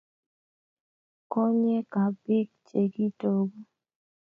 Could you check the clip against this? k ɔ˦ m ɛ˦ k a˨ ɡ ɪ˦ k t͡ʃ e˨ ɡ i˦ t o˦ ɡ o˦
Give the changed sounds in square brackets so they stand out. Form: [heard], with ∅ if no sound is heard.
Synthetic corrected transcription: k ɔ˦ [ɲ] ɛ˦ k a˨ [b] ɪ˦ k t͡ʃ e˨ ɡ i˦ t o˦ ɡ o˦